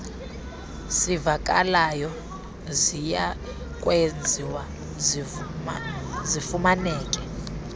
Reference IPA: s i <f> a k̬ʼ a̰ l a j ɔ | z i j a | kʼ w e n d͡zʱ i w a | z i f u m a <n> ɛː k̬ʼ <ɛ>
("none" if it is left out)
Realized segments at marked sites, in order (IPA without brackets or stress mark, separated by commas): v, n, ɛ